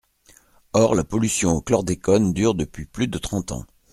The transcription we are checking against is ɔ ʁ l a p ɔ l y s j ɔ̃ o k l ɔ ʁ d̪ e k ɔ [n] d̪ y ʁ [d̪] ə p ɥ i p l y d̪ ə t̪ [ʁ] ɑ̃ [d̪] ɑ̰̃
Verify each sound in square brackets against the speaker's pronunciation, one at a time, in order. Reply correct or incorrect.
correct, correct, incorrect, incorrect

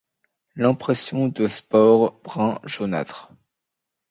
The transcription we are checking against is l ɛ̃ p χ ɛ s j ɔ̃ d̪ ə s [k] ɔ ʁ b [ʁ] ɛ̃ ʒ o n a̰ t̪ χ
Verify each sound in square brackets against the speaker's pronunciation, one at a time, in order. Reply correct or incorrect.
incorrect, correct

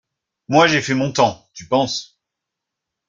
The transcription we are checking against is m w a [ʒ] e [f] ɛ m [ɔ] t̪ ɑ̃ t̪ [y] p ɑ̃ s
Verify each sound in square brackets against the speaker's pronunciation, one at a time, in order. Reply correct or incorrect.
correct, correct, incorrect, correct

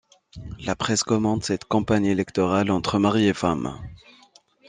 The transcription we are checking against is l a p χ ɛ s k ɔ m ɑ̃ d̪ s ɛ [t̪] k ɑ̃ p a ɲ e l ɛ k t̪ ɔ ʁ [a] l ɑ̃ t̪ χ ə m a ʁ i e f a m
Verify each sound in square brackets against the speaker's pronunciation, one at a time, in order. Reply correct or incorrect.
correct, correct

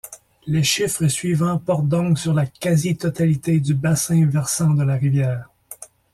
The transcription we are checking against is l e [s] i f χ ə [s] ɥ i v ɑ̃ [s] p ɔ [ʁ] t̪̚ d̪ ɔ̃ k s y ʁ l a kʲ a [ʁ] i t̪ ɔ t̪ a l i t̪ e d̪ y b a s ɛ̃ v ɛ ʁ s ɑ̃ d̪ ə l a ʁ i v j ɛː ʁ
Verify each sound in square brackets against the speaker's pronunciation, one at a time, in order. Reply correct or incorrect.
incorrect, correct, incorrect, correct, incorrect

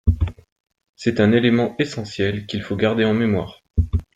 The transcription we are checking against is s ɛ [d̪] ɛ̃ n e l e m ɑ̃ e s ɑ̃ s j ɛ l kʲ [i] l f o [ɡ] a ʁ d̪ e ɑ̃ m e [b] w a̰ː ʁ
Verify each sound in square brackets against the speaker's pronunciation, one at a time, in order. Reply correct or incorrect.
incorrect, correct, correct, incorrect

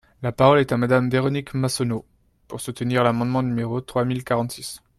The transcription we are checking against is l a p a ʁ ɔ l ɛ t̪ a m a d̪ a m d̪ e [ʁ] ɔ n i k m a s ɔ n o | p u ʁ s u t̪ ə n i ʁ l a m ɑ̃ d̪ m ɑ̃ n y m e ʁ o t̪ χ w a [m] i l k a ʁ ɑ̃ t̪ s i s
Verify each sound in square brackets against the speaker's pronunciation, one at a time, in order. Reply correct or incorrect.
correct, correct

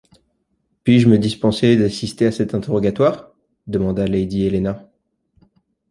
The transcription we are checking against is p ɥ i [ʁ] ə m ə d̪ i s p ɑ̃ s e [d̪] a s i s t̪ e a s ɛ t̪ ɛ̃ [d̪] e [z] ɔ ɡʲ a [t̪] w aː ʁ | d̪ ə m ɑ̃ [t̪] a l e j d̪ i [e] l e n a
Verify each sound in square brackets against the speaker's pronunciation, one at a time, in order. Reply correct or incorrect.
incorrect, correct, incorrect, incorrect, correct, incorrect, correct

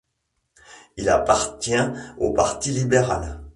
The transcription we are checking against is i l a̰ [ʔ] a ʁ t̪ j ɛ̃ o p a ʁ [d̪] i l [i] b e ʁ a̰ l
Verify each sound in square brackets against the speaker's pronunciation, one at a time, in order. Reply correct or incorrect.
incorrect, incorrect, correct

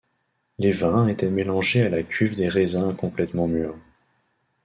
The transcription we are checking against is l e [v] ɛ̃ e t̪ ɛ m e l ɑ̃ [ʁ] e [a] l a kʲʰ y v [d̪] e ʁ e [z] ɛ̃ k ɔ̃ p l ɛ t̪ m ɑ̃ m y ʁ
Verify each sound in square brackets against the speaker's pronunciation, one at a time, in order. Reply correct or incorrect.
correct, incorrect, correct, correct, correct

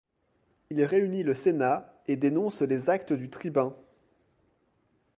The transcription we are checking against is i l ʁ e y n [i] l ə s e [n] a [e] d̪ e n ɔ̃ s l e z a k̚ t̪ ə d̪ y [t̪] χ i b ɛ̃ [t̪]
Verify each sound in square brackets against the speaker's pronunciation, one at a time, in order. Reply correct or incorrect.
correct, correct, correct, correct, incorrect

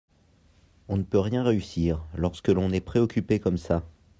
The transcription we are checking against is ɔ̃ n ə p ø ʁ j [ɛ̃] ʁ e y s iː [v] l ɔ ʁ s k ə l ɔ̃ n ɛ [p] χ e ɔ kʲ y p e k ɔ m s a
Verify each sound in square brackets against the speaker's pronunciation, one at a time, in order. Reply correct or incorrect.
correct, incorrect, correct

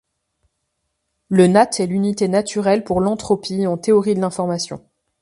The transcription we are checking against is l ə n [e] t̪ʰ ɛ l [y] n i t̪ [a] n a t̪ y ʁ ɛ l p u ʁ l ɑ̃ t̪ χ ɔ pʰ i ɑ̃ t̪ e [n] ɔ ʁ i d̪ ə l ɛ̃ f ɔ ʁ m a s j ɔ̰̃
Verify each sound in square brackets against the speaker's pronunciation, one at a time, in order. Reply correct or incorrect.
incorrect, correct, incorrect, incorrect

